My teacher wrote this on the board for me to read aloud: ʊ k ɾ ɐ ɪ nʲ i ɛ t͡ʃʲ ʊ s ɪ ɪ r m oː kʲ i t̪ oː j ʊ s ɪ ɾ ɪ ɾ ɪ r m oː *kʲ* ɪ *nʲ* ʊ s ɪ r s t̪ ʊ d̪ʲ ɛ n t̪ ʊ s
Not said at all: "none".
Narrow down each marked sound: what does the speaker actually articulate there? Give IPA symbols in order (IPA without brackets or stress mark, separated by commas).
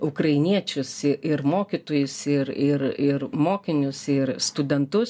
kʲ, nʲ